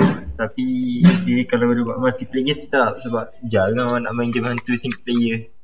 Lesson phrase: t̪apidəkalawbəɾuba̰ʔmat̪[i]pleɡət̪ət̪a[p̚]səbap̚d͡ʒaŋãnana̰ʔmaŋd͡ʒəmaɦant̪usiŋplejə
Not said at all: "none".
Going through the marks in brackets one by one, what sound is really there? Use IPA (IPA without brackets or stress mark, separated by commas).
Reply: i, p̚